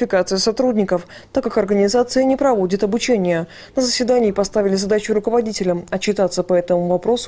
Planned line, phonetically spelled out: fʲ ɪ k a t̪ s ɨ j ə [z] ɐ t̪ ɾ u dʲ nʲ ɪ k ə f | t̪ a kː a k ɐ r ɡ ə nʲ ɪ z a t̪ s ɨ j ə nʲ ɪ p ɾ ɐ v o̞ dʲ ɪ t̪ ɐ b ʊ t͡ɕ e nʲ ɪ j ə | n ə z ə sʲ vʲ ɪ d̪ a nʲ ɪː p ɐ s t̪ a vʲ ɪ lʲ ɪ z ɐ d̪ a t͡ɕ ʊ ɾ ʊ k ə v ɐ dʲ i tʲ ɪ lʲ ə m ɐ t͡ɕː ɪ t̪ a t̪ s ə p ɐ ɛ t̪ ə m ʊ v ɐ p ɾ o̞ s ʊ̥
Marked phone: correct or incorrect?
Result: incorrect